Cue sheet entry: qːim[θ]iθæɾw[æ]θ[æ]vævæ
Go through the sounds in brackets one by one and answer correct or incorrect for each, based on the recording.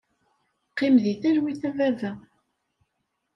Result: incorrect, incorrect, correct

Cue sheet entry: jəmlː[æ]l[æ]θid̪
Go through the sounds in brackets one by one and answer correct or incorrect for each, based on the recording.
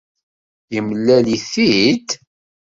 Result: correct, incorrect

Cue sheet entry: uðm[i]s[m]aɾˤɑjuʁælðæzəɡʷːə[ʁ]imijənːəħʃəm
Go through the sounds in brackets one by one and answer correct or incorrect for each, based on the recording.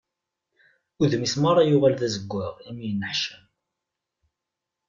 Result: correct, correct, correct

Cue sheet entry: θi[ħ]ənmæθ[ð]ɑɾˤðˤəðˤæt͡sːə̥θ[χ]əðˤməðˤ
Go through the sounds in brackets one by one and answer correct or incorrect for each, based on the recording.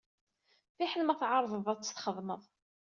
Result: correct, incorrect, correct

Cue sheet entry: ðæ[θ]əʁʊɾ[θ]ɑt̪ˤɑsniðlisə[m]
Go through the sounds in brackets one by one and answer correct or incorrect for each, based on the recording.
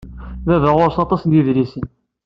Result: incorrect, incorrect, incorrect

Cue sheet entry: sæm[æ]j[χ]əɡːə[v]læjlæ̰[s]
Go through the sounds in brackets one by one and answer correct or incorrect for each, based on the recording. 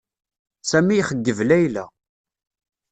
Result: incorrect, correct, correct, incorrect

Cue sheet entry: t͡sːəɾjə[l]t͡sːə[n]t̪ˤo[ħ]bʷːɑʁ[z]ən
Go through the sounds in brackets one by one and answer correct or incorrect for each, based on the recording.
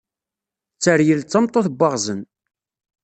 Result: correct, incorrect, incorrect, correct

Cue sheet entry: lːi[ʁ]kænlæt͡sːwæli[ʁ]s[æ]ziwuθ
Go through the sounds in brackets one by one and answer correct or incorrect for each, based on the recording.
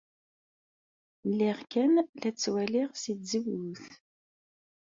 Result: correct, correct, incorrect

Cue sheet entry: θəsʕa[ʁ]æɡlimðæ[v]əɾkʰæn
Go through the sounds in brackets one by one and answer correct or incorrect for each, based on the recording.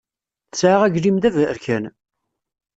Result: correct, correct

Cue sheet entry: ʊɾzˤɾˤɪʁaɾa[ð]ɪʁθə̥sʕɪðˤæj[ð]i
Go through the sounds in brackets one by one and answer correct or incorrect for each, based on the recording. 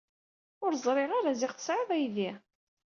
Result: incorrect, correct

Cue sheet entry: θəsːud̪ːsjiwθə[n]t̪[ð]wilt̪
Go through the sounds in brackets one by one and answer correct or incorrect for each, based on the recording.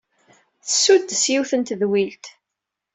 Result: correct, correct

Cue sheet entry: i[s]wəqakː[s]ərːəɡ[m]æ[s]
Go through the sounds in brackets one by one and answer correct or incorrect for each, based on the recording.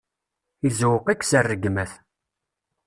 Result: incorrect, correct, correct, incorrect

